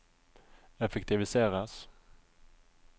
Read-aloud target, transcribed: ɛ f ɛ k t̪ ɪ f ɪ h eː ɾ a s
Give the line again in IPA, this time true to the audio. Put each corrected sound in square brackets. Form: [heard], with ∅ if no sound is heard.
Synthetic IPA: ɛ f ɛ k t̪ ɪ [v] ɪ [s] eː ɾ a s